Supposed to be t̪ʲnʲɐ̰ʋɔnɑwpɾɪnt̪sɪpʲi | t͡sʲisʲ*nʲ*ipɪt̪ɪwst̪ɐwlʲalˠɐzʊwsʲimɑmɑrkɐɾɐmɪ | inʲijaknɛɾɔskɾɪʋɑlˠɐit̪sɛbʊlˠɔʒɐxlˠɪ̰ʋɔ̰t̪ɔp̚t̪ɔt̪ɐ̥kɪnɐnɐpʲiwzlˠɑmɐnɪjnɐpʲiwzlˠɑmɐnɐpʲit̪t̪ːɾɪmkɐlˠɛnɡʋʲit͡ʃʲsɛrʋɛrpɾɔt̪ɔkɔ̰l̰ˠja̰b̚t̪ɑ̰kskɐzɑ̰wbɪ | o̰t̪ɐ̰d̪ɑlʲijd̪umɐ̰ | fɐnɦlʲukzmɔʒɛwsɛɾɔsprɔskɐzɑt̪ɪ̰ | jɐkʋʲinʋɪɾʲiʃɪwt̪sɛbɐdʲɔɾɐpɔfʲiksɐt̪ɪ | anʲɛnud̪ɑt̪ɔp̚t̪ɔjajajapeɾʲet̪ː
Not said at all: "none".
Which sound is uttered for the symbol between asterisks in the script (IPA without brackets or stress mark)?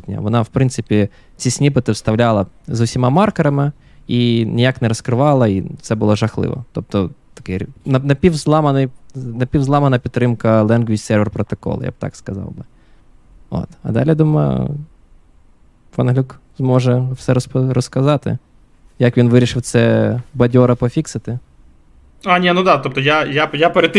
nʲ